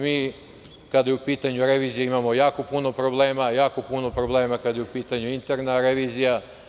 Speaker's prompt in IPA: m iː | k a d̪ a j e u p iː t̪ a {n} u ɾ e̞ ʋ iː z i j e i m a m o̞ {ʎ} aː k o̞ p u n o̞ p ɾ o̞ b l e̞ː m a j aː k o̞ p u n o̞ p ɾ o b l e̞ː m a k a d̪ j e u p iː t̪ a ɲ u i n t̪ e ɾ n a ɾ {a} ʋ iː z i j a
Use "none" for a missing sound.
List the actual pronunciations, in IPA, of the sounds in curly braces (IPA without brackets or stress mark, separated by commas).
ɲ, j, e